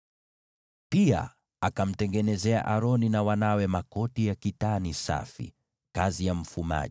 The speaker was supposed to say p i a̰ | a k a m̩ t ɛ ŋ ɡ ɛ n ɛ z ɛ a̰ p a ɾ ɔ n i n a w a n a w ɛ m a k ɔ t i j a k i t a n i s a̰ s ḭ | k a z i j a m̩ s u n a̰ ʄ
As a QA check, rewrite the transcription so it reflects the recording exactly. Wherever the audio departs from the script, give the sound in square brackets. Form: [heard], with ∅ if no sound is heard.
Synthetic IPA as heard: p i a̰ | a k a m̩ t ɛ ŋ ɡ ɛ n ɛ z ɛ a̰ [ʔ] a ɾ ɔ n i n a w a n a w ɛ m a k ɔ t i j a k i t a n i s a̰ [f] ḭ | k a z i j a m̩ [f] u [m] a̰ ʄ